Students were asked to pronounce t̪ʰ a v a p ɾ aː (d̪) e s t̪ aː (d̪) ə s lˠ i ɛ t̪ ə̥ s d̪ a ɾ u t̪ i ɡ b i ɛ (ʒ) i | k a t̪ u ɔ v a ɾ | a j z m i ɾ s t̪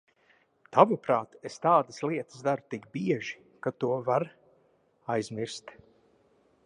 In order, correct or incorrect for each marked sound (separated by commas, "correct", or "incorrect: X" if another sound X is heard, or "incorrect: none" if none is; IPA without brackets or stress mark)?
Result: incorrect: t̪, correct, correct